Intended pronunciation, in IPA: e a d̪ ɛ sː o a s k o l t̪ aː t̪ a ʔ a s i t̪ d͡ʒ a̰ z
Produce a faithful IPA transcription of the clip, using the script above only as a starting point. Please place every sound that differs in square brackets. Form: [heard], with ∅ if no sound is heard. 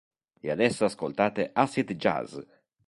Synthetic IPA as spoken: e a d̪ ɛ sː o a s k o l t̪ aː t̪ [e] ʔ a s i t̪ d͡ʒ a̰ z